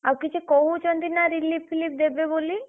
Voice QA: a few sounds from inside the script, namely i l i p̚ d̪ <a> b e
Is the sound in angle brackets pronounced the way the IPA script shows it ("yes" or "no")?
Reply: no